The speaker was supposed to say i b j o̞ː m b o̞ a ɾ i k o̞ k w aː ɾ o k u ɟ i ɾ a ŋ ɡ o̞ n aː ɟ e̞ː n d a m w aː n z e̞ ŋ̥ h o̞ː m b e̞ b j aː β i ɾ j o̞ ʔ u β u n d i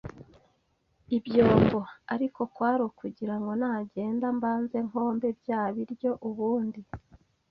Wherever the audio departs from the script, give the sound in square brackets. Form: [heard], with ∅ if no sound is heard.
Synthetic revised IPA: i b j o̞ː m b o̞ a ɾ i k o̞ k w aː ɾ o k u ɟ i ɾ a ŋ ɡ o̞ n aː ɟ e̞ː n d a m [b] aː n z e̞ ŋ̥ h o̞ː m b e̞ b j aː β i ɾ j o̞ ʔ u β [uː] n d i